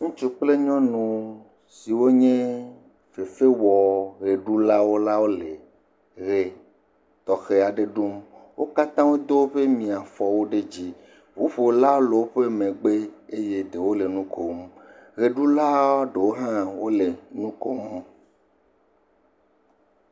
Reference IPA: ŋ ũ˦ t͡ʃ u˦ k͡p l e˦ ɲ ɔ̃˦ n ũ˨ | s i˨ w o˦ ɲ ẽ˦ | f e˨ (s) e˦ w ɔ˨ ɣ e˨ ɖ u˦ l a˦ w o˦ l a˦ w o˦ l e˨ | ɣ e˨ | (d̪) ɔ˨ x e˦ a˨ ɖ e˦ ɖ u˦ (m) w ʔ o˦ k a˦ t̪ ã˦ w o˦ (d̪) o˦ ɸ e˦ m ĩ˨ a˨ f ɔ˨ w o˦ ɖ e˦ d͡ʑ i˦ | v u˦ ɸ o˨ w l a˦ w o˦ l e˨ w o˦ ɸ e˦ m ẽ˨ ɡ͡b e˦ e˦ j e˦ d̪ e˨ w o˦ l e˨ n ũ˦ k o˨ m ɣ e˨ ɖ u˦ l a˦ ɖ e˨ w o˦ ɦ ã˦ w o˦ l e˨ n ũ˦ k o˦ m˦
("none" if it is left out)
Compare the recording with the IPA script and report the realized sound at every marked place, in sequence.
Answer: f, t̪, m, d̪

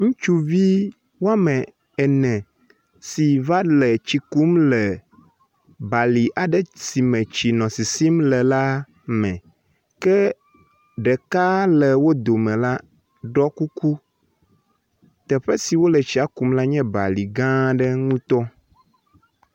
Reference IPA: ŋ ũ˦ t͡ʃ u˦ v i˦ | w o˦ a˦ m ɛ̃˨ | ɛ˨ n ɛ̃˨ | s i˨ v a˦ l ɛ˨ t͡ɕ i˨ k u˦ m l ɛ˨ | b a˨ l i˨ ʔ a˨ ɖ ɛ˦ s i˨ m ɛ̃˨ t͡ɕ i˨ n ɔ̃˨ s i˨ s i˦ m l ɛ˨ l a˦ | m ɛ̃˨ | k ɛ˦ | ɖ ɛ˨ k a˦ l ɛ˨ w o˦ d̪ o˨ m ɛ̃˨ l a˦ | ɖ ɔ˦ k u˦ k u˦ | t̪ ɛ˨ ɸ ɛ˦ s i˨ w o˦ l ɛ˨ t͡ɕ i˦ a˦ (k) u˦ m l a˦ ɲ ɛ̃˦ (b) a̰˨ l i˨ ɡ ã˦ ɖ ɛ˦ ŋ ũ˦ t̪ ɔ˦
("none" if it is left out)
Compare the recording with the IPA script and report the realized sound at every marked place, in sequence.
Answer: k, b

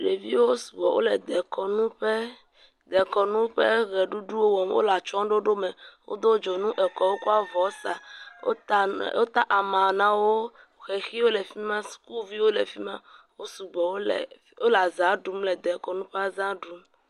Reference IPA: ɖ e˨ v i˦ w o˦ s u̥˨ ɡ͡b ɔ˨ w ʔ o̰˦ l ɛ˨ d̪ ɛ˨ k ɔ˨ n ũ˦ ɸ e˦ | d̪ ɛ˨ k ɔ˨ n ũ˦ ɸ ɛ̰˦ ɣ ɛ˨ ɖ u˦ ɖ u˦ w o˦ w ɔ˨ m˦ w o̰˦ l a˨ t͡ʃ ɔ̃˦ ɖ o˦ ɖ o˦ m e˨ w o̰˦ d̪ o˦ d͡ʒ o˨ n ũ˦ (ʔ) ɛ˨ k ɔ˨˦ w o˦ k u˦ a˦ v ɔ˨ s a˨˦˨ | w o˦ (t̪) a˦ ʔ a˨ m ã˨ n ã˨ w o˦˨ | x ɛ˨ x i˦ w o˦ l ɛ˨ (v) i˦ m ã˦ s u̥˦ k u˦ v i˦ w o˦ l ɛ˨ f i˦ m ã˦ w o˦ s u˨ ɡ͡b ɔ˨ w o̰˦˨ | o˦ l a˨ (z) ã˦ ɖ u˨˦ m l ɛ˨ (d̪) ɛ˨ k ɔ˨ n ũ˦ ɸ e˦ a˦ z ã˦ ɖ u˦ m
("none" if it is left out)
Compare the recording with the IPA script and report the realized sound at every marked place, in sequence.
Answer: ʔ, t̪, f, z, d̪

